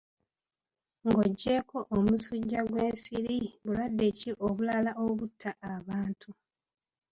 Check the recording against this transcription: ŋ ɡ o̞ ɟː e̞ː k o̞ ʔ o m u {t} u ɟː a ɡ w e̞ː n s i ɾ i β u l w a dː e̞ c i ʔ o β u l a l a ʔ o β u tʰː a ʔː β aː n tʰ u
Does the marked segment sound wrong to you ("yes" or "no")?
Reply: yes